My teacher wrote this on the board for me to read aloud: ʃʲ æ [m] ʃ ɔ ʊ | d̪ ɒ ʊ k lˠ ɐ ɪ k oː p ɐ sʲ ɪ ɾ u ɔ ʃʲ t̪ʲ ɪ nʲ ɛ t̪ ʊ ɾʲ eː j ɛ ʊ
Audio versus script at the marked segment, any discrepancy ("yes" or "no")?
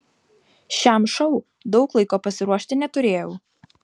no